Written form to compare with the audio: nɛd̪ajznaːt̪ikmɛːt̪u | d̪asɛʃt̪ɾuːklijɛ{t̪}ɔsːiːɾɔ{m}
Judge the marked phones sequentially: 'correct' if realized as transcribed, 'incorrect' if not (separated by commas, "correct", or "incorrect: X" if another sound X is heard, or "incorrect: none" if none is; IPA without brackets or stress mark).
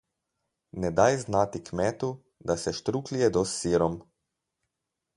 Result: incorrect: d̪, correct